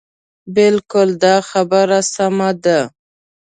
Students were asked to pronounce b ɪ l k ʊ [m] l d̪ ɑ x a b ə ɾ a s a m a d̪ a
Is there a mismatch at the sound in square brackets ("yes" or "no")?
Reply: yes